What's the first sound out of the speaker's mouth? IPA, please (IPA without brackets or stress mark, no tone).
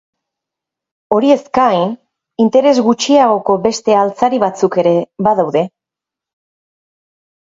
o̞